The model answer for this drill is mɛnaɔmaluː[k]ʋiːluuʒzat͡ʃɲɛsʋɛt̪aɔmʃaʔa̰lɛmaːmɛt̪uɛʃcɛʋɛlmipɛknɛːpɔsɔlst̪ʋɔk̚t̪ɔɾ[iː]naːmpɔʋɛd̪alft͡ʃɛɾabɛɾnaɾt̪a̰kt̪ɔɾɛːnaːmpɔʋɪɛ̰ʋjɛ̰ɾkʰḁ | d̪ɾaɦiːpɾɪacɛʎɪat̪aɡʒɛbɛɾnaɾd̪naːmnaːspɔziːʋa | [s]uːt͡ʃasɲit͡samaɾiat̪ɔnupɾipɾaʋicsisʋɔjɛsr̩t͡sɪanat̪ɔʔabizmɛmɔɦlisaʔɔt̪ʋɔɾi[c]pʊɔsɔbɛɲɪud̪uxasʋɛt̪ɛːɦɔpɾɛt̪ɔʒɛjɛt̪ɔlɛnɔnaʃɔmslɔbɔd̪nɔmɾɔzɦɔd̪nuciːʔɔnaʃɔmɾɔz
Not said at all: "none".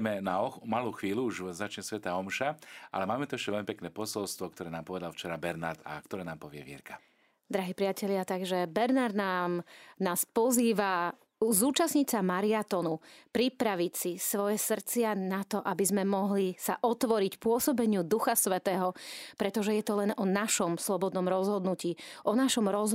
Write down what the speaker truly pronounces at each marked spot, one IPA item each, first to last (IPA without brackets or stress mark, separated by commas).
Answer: x, ɛː, z, c